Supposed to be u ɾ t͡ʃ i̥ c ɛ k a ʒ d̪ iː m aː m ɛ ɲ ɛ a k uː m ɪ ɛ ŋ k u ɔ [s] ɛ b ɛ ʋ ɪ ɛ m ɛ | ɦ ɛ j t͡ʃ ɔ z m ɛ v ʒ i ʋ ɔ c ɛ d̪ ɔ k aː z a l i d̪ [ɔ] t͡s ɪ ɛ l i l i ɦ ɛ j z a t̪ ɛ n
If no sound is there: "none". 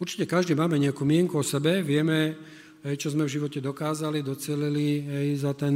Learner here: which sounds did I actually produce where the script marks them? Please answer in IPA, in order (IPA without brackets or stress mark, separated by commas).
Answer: s, ɔ